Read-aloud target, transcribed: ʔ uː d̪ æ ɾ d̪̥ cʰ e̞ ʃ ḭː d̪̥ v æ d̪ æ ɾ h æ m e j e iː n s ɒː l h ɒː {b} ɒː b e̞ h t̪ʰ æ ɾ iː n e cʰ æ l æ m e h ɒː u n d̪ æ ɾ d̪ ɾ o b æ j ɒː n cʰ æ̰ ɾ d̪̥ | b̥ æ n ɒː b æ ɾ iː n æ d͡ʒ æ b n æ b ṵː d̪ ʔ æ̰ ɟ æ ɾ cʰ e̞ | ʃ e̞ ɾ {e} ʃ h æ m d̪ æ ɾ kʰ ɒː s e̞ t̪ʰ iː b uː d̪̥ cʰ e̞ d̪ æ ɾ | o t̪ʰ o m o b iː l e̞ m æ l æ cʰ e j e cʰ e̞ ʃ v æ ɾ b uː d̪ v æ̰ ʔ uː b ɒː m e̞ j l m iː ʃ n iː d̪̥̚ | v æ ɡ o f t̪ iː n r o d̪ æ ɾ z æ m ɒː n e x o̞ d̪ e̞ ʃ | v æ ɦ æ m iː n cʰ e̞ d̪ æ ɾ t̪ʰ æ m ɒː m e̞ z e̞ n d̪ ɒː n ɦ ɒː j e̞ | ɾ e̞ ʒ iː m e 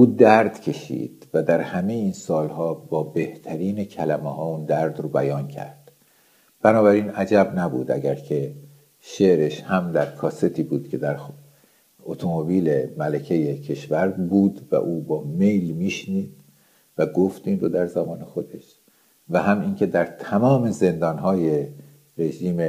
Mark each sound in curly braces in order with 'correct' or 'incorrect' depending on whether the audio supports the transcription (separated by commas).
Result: correct, correct